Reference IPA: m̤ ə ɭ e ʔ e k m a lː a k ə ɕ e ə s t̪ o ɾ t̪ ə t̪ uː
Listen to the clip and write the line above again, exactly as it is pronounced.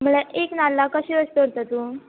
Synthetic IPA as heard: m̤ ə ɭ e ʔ e k n a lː a k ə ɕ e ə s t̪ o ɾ t̪ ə t̪ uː